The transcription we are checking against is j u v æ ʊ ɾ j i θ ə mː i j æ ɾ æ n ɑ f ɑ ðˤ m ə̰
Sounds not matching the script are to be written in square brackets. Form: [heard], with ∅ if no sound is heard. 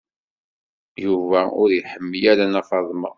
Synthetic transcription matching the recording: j u v æ ʊ ɾ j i [ħ] ə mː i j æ ɾ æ n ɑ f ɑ ðˤ m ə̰